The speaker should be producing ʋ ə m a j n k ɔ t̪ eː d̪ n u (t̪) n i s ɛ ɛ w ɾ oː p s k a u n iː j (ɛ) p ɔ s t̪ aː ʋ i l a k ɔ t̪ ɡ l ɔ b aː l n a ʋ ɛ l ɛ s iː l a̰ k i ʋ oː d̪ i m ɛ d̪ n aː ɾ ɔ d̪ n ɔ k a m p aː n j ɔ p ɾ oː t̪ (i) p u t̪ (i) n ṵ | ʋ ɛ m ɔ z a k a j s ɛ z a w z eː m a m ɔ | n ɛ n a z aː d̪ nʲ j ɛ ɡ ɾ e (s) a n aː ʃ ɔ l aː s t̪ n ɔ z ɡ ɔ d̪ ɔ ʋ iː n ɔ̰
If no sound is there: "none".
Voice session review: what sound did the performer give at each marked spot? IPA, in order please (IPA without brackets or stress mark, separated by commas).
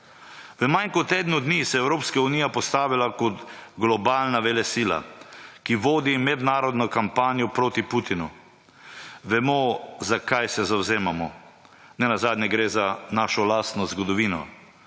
d̪, a, i, i, z